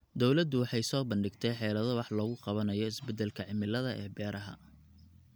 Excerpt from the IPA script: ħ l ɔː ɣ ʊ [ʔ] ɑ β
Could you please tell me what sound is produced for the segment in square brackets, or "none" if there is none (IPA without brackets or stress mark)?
q